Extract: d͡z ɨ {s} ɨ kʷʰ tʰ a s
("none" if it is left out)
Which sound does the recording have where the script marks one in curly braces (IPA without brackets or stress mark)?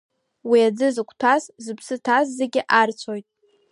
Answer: z